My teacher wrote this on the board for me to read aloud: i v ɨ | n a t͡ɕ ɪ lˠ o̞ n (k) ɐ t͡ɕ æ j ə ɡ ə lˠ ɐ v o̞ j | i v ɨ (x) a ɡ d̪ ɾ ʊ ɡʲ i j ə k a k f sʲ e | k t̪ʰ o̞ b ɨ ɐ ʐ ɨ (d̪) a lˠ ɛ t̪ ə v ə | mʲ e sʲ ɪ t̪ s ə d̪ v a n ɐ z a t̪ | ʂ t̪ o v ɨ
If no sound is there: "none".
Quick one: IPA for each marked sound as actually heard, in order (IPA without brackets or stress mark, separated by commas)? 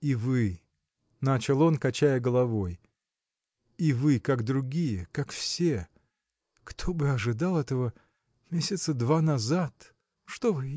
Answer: k, k, d̪